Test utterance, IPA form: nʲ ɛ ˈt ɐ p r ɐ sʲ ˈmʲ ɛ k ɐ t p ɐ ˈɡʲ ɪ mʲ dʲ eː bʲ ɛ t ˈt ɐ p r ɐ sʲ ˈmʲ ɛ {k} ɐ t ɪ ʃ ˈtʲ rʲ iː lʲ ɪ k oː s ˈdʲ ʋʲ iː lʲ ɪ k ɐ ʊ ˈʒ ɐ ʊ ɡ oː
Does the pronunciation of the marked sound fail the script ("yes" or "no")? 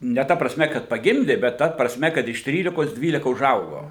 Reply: no